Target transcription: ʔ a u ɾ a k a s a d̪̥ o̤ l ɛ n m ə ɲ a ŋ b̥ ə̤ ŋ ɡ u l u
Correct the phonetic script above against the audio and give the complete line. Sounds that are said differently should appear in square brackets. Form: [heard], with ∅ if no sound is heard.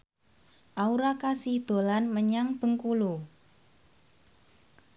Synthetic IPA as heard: ʔ a u ɾ a k a s [i] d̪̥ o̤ l [a] n m ə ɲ a ŋ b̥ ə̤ ŋ [k] u l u